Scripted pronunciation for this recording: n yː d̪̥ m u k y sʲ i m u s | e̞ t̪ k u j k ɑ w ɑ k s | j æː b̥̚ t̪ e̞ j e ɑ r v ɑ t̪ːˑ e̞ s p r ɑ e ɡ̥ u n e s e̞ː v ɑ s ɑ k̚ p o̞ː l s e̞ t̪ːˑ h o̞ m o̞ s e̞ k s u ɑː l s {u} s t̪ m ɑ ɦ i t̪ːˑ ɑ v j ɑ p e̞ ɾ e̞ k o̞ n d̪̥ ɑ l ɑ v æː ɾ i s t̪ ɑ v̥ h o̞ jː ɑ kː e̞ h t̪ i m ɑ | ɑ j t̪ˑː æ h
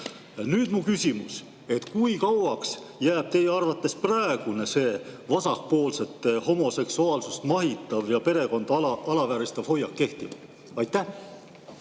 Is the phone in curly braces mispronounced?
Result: no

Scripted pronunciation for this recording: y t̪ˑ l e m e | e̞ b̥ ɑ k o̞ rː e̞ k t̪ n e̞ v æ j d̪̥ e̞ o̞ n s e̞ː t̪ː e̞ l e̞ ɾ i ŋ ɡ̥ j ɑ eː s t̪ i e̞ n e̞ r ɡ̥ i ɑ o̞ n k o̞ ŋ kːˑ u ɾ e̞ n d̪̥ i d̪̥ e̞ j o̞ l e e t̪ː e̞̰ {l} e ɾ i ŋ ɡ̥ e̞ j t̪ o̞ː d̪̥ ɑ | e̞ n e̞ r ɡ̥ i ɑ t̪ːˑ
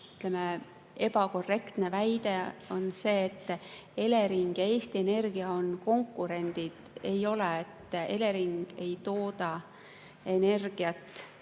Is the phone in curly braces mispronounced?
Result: no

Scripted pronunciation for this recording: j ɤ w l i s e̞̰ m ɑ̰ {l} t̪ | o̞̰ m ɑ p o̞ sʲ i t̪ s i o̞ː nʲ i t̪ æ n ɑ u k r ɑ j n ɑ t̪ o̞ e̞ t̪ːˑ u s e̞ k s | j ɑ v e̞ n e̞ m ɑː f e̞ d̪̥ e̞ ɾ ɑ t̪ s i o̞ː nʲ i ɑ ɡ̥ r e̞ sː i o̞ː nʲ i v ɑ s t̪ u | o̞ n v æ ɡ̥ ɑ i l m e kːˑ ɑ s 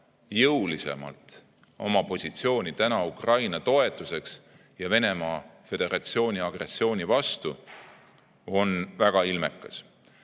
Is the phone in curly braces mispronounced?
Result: no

